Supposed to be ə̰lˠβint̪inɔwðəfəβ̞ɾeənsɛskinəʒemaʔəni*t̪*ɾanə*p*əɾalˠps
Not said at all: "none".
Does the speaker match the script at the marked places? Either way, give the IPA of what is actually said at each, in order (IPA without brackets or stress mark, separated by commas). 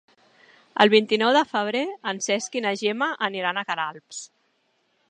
none, k